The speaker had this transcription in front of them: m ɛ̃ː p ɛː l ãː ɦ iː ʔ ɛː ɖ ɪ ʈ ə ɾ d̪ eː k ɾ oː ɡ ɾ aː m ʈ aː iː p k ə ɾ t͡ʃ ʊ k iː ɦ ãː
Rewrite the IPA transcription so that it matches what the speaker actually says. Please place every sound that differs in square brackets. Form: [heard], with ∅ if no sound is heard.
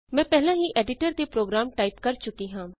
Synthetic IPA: m ɛ̃ː p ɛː l ãː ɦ iː ʔ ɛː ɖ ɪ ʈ ə ɾ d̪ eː [p] ɾ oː ɡ ɾ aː m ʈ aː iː p k ə ɾ t͡ʃ ʊ k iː ɦ ãː